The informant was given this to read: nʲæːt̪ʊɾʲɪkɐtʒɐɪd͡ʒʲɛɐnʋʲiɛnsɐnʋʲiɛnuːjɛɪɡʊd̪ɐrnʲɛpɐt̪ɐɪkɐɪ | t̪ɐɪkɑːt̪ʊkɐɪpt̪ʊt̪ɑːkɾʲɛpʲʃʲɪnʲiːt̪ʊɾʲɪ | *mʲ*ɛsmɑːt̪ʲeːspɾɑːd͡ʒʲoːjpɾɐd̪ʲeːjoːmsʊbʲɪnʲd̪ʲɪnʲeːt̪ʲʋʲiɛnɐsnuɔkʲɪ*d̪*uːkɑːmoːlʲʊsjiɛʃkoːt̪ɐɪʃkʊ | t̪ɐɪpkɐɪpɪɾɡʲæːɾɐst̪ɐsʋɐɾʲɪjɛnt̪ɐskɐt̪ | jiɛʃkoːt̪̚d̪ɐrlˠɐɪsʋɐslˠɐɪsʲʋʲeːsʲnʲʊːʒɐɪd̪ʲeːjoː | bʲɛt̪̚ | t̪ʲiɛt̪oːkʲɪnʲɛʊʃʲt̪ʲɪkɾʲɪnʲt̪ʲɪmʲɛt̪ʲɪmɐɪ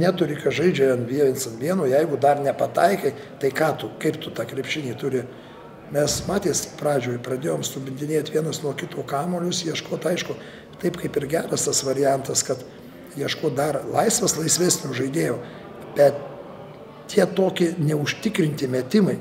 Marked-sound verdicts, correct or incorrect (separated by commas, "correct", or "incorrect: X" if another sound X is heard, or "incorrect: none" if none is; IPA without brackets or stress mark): correct, incorrect: t̪